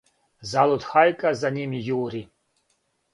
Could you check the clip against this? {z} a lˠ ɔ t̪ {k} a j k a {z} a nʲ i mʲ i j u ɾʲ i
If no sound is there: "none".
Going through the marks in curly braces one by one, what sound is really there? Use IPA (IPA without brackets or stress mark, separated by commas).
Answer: z, x, z